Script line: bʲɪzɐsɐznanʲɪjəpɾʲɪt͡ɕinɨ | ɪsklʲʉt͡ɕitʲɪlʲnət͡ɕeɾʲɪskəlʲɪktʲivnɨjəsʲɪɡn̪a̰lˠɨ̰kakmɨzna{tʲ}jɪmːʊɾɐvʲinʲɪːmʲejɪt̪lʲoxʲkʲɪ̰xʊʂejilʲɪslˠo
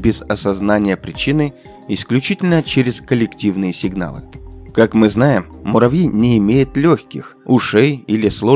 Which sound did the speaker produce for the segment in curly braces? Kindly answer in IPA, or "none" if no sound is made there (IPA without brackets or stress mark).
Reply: none